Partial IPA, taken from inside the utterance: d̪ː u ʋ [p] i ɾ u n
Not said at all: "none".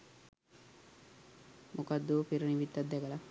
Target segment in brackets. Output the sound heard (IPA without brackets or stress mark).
p